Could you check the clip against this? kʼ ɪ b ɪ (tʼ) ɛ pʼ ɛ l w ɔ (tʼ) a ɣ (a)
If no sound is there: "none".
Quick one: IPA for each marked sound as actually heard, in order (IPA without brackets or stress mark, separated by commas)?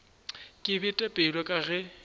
tʼ, kʼ, ɛ